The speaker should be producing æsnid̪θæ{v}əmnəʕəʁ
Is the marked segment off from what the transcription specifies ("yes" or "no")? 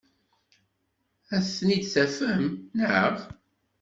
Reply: yes